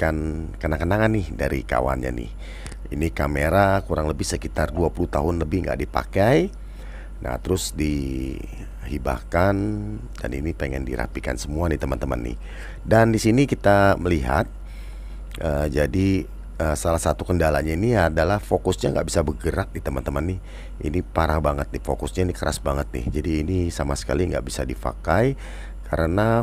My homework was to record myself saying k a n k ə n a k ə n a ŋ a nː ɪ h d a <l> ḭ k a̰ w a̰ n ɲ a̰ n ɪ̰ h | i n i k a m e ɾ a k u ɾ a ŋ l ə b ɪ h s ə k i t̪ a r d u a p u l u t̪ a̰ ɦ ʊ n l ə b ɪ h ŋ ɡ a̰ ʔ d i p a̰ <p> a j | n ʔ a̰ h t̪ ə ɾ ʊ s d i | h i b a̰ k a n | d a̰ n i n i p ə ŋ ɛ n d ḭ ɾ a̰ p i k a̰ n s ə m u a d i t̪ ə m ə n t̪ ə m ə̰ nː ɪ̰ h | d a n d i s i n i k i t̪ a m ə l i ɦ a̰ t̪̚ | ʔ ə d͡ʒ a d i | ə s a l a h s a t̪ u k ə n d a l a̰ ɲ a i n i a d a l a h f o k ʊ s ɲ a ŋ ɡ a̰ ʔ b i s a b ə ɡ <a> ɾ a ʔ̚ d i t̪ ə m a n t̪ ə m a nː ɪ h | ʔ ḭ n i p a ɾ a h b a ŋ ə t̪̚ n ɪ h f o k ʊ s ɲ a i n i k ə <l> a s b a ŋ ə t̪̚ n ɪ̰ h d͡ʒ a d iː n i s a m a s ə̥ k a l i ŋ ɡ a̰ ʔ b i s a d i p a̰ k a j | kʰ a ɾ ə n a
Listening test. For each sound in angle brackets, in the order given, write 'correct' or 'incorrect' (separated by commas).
incorrect, incorrect, incorrect, incorrect